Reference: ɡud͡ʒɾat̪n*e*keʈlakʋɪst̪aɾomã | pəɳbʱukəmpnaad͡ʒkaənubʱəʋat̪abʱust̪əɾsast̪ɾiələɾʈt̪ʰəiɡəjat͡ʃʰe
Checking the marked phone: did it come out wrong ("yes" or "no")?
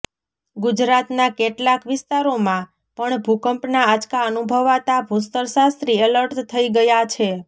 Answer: yes